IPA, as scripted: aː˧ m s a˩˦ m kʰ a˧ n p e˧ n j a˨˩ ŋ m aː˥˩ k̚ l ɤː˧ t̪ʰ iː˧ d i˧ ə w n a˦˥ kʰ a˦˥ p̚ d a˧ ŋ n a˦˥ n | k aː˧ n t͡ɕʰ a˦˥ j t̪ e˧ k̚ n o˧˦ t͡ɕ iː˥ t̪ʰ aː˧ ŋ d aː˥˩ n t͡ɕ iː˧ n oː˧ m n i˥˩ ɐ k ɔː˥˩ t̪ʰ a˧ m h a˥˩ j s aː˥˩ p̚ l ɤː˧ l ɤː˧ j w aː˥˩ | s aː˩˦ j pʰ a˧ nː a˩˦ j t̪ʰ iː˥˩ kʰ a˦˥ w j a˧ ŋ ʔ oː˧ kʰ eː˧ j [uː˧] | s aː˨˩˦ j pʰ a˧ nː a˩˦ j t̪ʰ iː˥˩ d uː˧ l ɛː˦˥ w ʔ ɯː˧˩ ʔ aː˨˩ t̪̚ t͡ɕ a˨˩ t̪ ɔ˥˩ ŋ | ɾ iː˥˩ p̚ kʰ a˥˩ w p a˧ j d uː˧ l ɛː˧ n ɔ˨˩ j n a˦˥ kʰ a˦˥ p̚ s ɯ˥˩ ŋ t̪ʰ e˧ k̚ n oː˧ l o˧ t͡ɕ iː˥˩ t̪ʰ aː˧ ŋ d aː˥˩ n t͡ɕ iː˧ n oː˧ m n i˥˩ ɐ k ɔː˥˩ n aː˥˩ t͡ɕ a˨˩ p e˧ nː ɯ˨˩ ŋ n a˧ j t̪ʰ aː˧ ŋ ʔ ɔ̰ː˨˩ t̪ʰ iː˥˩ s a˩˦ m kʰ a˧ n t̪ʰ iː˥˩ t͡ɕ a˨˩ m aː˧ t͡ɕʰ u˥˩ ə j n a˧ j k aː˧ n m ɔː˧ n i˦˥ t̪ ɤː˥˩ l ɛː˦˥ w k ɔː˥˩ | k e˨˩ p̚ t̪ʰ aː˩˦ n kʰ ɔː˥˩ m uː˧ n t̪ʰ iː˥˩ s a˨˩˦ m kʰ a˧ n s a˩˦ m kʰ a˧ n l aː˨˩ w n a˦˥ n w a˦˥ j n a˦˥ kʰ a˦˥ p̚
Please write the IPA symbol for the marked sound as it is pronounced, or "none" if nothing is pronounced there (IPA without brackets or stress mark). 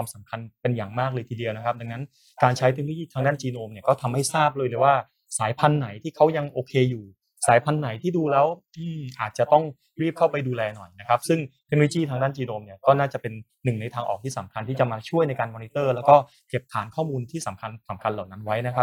uː˨˩